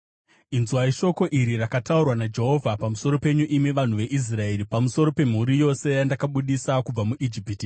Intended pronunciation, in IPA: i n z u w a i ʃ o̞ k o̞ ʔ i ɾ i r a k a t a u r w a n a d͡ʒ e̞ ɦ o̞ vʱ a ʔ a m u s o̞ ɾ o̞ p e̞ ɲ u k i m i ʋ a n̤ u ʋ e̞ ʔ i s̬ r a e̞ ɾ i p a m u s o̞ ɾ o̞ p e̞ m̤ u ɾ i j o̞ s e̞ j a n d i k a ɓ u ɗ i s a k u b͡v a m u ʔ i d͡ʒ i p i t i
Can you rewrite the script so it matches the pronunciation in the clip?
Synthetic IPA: i n z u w a i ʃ o̞ k o̞ ʔ i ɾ i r a k a t a u r w a n a d͡ʒ e̞ ɦ o̞ vʱ a p a m u s o̞ ɾ o̞ p e̞ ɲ u ʔ i m i ʋ a n̤ u ʋ e̞ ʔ i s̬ r a e̞ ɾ i p a m u s o̞ ɾ o̞ p e̞ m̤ u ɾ i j o̞ s e̞ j a n d a k a ɓ u ɗ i s a k u b͡v a m u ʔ i d͡ʒ i p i t i